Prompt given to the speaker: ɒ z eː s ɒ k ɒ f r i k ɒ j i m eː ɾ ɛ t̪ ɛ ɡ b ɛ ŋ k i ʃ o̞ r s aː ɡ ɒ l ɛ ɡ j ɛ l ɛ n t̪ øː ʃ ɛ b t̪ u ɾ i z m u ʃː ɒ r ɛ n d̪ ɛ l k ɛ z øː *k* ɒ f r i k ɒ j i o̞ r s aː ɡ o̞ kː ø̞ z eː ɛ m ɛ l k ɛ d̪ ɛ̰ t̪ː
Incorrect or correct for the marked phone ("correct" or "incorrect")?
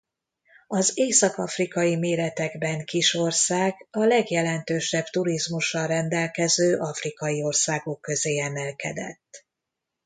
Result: incorrect